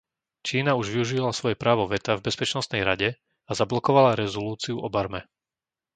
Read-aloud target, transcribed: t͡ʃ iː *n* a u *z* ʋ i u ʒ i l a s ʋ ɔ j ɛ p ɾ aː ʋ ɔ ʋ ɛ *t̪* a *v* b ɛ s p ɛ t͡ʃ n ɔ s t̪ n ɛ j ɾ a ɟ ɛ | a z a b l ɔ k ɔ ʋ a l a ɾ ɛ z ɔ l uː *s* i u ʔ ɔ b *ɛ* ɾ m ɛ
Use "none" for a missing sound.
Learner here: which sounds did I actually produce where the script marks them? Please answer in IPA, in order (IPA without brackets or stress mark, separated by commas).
n, ʒ, t̪, v, t͡s, a